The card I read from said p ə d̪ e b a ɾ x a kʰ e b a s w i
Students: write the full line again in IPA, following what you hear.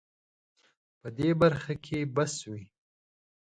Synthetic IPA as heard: p ə d̪ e b a ɾ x a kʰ e b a s w i